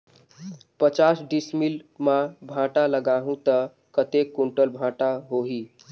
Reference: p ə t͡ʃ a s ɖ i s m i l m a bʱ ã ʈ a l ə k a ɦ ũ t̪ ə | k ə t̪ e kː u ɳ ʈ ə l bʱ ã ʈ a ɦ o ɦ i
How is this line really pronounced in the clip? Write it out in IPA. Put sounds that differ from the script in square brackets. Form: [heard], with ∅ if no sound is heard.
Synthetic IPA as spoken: p ə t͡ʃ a s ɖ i s m i l m a bʱ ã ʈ a l ə [ɡ] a ɦ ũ t̪ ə | k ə t̪ e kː u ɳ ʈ ə l bʱ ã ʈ a ɦ o ɦ i